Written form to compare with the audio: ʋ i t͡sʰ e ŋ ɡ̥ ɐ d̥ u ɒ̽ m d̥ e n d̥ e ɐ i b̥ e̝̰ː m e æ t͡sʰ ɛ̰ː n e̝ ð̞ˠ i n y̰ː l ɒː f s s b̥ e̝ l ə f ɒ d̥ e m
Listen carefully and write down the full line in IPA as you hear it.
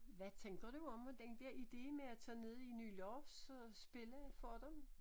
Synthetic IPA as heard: ʋ æ t͡sʰ e ŋ ɡ̥ ɐ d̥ u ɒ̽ m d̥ e n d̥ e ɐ i d̥ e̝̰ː m e æ t͡sʰ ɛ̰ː n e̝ ð̞ˠ i n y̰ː l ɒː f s s b̥ e̝ l ə f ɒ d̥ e m